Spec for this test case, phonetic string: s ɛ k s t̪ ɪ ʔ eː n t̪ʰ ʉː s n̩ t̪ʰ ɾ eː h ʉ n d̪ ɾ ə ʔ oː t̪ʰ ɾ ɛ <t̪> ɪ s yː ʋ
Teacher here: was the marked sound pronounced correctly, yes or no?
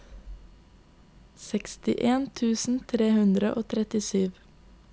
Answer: yes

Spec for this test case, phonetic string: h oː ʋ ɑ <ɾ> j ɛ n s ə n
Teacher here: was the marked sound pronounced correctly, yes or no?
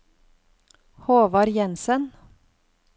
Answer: yes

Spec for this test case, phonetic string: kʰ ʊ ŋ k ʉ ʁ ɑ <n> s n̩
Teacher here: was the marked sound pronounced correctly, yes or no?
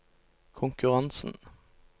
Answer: yes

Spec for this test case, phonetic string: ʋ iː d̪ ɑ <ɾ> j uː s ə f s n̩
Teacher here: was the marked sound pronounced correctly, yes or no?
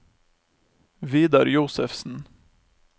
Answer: yes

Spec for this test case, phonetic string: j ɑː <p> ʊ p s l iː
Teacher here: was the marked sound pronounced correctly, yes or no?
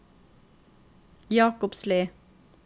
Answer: no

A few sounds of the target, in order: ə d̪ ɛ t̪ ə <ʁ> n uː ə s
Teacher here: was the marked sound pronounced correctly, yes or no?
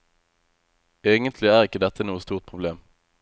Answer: no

